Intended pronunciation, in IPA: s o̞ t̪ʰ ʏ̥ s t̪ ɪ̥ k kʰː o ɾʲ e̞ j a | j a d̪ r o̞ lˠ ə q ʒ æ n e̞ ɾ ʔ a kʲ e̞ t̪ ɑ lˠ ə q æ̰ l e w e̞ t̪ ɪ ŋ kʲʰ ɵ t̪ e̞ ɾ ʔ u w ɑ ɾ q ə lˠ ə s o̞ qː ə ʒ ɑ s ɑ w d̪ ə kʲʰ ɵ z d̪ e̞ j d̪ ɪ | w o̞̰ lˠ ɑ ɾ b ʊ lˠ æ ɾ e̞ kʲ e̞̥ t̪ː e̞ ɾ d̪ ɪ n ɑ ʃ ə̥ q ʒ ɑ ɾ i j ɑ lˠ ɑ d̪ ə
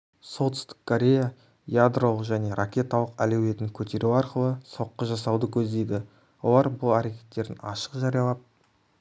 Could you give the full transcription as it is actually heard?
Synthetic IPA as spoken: s o̞ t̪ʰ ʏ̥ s t̪ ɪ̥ k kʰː o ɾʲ e̞ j a | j a d̪ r o̞ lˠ ə q ʒ æ n e̞ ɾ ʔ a kʲ e̞ t̪ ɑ lˠ ə q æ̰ l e w e̞ t̪ ɪ ŋ kʲʰ ɵ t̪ e̞ ɾ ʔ u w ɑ ɾ q ə lˠ ə s o̞ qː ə ʒ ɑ s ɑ w d̪ ə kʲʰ ɵ z d̪ e̞ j d̪ ɪ | w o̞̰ lˠ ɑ ɾ b ʊ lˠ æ ɾ e̞ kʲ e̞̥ t̪ː e̞ ɾ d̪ ɪ n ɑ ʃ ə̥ q ʒ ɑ ɾ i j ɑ lˠ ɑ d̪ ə

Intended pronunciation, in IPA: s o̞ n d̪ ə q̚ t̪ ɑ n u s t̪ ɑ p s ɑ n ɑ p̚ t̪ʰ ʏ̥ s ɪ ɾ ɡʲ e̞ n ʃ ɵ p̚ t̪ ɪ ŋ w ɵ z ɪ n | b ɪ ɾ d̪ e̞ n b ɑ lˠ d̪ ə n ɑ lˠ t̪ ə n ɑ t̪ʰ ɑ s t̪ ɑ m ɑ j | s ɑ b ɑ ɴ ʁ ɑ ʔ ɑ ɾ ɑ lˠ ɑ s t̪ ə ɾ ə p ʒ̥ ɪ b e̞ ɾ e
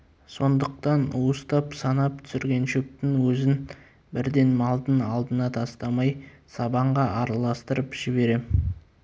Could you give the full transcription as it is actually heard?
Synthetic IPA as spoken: s o̞ n d̪ ə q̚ t̪ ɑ n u s t̪ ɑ p s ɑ n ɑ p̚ t̪ʰ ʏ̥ s ɪ ɾ ɡʲ e̞ n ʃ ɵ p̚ t̪ ɪ ŋ w ɵ z ɪ n | b ɪ ɾ d̪ e̞ n m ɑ lˠ d̪ ə n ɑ lˠ d̪ ə n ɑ t̪ʰ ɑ s t̪ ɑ m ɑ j | s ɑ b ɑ ɴ ʁ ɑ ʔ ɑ ɾ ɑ lˠ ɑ s t̪ ə ɾ ə p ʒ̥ ɪ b e̞ ɾ e

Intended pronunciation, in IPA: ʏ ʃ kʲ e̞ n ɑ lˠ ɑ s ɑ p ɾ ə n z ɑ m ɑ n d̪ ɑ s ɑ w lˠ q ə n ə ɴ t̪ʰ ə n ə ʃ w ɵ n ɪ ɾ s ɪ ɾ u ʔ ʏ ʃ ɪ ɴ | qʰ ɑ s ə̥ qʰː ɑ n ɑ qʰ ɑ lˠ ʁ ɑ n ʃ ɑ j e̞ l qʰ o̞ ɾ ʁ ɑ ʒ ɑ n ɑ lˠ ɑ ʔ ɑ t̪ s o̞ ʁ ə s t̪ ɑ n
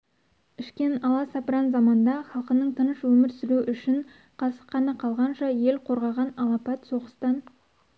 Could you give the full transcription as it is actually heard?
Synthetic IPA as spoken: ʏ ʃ kʲ e̞ n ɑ lˠ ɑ s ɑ p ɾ ɑ n z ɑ m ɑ n d̪ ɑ χ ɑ lˠ q ə n ə ɴ t̪ʰ ə n ə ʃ w ɵ m ɪ ɾ s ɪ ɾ u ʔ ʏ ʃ ɪ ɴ | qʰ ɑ s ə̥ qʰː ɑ n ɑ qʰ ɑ lˠ ʁ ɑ n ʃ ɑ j e̞ l qʰ o̞ ɾ ʁ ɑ ʁ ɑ n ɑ lˠ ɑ p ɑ t̪ s o̞ ʁ ə s t̪ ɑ n

